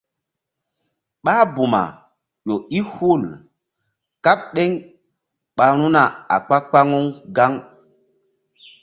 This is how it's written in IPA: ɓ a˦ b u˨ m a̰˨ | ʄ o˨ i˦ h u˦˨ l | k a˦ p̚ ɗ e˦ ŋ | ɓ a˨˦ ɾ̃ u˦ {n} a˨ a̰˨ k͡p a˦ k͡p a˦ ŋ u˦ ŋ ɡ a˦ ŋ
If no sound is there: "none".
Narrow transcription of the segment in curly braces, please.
n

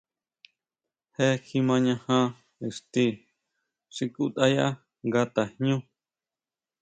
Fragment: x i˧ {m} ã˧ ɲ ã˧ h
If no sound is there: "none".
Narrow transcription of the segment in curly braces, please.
m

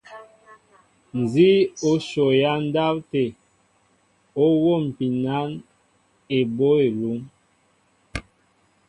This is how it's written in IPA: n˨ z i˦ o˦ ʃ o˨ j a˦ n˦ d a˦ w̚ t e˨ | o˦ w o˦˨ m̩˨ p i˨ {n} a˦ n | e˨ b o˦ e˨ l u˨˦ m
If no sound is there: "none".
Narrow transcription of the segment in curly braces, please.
n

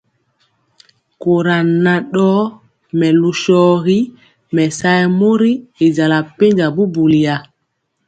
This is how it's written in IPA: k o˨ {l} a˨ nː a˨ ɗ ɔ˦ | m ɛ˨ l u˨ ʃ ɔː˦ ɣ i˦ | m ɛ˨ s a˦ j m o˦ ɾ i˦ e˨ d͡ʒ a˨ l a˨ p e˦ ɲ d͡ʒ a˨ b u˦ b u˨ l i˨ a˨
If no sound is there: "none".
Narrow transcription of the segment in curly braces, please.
ɾ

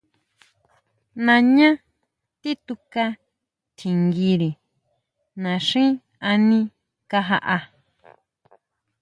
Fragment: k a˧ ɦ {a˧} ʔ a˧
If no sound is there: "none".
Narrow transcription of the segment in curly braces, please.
a˧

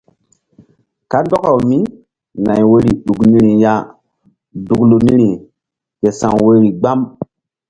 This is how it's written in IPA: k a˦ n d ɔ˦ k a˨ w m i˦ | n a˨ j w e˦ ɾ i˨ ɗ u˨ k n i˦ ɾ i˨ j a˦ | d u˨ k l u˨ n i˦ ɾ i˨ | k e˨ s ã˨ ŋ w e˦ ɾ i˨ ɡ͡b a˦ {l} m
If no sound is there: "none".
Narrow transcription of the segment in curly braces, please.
none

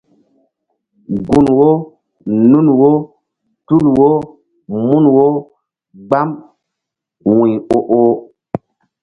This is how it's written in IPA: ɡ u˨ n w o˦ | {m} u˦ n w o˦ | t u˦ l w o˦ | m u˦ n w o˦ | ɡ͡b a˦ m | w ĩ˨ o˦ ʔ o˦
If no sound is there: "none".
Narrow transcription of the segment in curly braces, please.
n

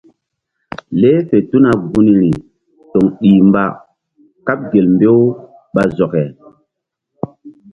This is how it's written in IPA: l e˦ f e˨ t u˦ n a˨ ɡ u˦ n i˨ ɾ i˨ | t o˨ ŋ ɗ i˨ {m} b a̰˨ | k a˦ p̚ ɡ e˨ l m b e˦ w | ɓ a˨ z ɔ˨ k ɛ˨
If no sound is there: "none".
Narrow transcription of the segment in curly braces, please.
m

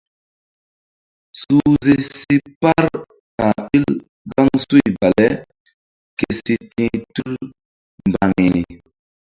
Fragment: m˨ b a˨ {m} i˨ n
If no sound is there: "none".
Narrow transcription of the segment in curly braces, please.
ŋ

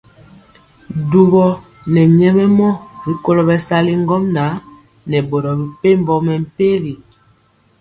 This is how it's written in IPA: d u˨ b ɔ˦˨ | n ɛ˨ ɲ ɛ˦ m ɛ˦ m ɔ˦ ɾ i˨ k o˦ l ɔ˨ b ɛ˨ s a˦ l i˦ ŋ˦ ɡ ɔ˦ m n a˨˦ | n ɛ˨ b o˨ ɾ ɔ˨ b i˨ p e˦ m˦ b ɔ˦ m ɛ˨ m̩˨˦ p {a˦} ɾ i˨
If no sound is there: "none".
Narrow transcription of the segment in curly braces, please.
e˦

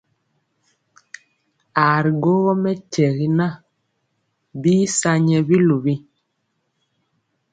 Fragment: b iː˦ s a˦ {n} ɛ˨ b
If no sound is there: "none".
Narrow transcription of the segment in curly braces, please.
ɲ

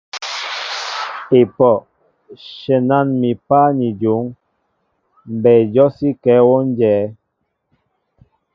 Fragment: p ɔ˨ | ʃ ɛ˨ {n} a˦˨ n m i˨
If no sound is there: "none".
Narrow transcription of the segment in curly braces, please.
n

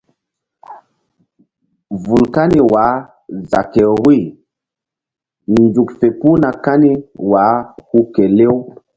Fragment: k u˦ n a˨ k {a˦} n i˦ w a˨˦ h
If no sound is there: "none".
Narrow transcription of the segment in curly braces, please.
a˦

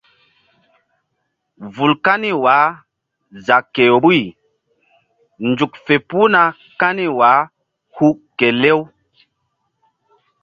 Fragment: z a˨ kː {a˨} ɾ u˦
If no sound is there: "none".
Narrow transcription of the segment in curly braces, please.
e˨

